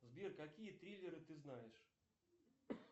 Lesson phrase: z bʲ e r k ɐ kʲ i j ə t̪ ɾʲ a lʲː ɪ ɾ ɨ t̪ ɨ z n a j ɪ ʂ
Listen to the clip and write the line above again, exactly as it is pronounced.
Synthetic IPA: z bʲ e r k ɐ kʲ i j ə t̪ ɾʲ i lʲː ɪ ɾ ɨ t̪ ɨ z n a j ɪ ʂ